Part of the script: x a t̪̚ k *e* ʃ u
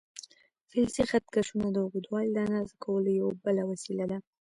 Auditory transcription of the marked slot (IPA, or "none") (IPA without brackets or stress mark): a